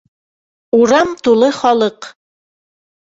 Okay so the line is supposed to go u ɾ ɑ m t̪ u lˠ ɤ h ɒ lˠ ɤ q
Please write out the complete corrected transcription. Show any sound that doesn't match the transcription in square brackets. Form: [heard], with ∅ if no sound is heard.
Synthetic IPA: u ɾ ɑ m t̪ u lˠ ɤ [χ] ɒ lˠ ɤ q